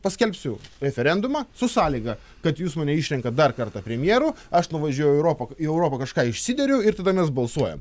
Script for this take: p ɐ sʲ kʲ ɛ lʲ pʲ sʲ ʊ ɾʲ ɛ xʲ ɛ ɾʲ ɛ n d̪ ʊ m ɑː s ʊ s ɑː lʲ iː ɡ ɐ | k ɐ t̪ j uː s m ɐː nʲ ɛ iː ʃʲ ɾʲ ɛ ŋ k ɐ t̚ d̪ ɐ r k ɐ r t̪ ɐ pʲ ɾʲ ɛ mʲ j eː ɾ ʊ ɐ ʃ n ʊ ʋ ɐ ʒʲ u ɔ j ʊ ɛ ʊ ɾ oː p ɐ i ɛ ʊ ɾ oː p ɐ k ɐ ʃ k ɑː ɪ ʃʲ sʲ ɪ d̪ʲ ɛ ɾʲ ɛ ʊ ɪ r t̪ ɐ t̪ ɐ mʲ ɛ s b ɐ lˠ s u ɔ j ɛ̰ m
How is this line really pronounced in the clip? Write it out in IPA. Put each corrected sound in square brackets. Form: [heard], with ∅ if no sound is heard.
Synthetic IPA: p ɐ sʲ kʲ ɛ lʲ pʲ sʲ ʊ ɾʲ ɛ [fʲ] ɛ ɾʲ ɛ n d̪ ʊ m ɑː s ʊ s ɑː lʲ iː ɡ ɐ | k ɐ t̪ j uː s m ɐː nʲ ɛ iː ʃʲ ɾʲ ɛ ŋ k ɐ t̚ d̪ ɐ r k ɐ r t̪ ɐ pʲ ɾʲ ɛ mʲ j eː ɾ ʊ ɐ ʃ n ʊ ʋ ɐ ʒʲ u ɔ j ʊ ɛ ʊ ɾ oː p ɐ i ɛ ʊ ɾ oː p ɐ k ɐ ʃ k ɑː ɪ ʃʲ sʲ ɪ d̪ʲ ɛ ɾʲ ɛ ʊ ɪ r t̪ ɐ [d̪] ɐ mʲ ɛ s b ɐ lˠ s u ɔ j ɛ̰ m